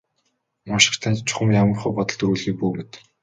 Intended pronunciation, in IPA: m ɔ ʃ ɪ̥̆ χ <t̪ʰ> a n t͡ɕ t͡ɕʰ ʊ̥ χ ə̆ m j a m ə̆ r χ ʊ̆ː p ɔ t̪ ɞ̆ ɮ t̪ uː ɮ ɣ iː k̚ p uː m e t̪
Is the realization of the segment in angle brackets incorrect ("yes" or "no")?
no